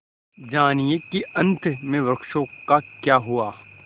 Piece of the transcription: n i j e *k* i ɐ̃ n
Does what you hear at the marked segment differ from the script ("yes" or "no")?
no